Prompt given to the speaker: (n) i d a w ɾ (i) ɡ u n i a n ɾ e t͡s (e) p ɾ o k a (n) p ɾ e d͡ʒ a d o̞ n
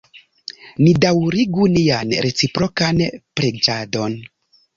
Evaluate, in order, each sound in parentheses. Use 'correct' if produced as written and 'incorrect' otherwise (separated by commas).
correct, correct, incorrect, correct